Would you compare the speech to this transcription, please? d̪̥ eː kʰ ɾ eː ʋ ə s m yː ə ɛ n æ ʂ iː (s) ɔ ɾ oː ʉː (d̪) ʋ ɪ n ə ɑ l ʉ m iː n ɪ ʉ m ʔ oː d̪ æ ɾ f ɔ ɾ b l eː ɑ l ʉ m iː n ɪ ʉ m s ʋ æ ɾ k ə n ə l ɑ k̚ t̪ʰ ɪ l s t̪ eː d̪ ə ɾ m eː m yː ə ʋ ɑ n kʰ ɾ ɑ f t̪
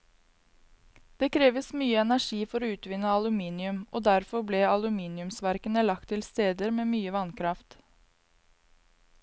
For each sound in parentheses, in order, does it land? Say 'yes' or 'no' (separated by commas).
no, no